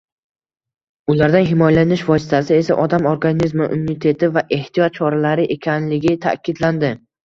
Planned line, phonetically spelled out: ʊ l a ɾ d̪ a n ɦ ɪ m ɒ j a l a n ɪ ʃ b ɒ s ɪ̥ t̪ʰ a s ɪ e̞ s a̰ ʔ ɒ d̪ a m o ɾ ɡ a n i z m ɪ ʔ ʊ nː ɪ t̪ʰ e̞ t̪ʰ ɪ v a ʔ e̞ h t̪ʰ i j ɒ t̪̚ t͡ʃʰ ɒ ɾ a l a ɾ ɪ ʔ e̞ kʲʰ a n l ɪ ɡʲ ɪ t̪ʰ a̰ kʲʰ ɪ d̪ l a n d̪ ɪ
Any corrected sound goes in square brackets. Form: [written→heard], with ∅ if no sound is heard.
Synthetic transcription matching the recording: ʊ l a ɾ d̪ a n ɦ ɪ m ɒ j a l a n ɪ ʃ [b→v] ɒ s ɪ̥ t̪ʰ a s ɪ e̞ s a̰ ʔ ɒ d̪ a m o ɾ ɡ a n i z m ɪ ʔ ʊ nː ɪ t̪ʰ e̞ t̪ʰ ɪ v a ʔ e̞ h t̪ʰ i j ɒ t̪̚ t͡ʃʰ ɒ ɾ a l a ɾ ɪ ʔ e̞ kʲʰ a n l ɪ ɡʲ ɪ t̪ʰ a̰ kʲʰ ɪ d̪ l a n d̪ ɪ